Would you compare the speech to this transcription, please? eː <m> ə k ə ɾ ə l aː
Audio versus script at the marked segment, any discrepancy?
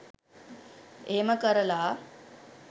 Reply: no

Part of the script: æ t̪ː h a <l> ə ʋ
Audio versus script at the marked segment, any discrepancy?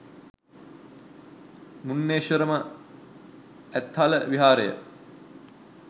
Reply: no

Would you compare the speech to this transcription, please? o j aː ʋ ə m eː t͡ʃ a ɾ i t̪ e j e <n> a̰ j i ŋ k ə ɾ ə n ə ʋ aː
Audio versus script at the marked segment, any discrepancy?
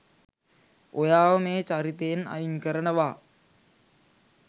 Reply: no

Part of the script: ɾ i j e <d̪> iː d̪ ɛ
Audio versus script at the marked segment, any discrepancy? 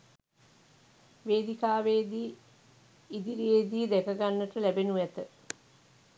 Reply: no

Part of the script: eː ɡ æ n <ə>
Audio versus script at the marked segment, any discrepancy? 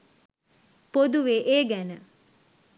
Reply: no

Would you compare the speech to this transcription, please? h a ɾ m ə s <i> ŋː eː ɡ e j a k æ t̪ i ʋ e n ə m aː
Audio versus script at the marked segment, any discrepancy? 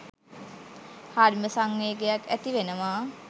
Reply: yes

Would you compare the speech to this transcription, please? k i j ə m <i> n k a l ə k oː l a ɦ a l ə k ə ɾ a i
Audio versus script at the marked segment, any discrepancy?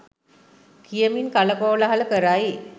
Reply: no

